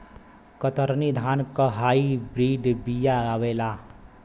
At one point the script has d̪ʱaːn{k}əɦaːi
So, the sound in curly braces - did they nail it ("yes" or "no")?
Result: yes